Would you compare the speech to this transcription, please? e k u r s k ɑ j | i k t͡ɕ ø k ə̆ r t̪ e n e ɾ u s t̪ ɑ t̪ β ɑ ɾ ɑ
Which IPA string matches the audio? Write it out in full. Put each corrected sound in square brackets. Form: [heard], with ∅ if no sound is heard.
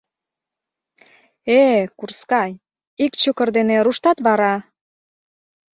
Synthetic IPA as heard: e k u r s k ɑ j | i k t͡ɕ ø k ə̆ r [d̪] e n e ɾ u [ʃ] t̪ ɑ t̪ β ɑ ɾ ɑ